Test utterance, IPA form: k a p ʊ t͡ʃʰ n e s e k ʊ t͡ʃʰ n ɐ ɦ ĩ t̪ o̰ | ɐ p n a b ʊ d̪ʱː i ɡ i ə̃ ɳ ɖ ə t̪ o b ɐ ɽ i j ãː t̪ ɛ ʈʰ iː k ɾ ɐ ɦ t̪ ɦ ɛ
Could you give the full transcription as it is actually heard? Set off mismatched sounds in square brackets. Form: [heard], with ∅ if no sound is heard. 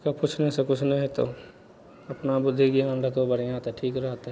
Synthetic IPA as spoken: k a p ʊ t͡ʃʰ n e s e k ʊ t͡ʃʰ n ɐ ɦ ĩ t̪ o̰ | ɐ p n a b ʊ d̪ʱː i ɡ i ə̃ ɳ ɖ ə t̪ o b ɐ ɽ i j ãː t̪ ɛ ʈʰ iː k ɾ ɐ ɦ t̪ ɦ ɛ